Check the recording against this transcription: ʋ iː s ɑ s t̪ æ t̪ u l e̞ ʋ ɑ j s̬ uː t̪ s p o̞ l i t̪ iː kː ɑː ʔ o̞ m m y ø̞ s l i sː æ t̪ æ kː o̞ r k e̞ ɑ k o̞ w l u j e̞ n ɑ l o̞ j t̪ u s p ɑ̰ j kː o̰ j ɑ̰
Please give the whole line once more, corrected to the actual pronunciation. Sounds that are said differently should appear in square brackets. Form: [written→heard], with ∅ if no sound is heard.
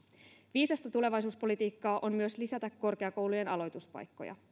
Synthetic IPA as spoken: ʋ iː s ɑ s t̪ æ t̪ u l e̞ ʋ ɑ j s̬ uː [t̪→∅] s p o̞ l i t̪ iː kː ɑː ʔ o̞ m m y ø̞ s l i [sː→s] æ t̪ æ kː o̞ r k e̞ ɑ k o̞ w l u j e̞ n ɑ l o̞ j t̪ u s p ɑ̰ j kː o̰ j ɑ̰